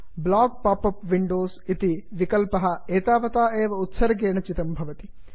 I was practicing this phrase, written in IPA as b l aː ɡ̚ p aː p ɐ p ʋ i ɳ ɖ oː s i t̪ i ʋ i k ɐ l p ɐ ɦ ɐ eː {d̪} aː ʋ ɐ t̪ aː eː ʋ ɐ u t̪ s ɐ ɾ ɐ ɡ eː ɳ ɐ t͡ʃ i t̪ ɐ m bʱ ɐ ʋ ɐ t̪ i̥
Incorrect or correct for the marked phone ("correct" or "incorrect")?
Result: incorrect